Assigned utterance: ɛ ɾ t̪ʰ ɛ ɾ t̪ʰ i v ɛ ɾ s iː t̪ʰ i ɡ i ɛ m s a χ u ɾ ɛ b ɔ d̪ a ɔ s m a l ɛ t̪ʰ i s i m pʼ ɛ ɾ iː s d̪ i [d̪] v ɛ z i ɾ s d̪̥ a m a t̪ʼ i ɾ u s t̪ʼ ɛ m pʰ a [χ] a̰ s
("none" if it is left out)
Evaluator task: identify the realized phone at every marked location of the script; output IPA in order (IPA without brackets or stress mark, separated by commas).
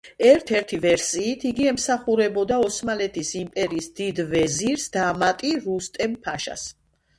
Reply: d̪, ʃ